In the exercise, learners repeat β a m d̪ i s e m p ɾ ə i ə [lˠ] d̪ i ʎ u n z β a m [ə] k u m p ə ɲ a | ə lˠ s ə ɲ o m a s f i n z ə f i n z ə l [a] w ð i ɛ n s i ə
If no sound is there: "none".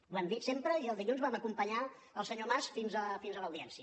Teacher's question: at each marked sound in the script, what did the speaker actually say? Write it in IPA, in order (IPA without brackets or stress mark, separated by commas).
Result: lˠ, ə, ə